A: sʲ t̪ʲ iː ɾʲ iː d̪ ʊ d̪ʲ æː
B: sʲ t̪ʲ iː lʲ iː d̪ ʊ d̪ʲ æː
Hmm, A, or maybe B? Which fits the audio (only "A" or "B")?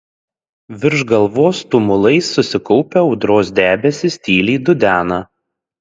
B